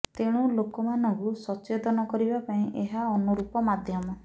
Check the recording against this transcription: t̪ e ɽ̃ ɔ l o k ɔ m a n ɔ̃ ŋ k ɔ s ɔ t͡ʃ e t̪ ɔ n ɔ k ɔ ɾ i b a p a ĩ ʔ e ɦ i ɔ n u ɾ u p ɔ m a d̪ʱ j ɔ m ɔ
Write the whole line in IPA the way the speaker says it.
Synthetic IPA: t̪ e ɽ̃ u l o k ɔ m a n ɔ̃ ŋ k u s ɔ t͡ʃ e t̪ ɔ n ɔ k ɔ ɾ i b a p a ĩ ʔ e ɦ a ɔ n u ɾ u p ɔ m a d̪ʱ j ɔ m ɔ